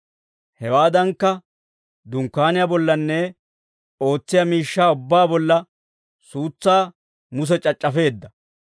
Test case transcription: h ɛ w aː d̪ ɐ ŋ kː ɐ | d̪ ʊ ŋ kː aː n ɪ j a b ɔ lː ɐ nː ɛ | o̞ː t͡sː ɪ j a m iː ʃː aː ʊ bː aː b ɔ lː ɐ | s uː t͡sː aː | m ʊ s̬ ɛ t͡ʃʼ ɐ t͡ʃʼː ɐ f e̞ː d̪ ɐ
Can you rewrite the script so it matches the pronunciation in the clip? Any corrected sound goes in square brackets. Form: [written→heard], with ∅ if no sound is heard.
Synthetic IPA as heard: h ɛ w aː d̪ ɐ ŋ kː ɐ | d̪ ʊ ŋ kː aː n ɪ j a b ɔ lː ɐ nː ɛ | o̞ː t͡sː ɪ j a m iː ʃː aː ʊ bː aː b ɔ lː ɐ | s uː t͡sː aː | m ʊ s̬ ɛ t͡ʃʼ ɐ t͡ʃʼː ɐ f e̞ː [d̪→d̪ː] ɐ